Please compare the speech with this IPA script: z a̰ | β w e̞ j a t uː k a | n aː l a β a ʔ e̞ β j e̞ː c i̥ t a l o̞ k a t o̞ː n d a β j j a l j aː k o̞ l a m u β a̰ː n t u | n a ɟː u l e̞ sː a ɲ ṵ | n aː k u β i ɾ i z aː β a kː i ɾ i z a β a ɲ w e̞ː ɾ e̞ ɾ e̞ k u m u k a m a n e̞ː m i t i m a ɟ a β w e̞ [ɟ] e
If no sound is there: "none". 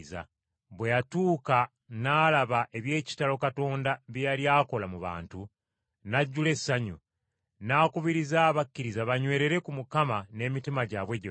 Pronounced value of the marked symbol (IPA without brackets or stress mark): ɟ